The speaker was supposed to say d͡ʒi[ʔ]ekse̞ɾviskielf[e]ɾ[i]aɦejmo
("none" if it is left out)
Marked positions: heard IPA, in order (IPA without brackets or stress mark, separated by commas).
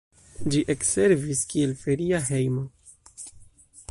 ʔ, e, i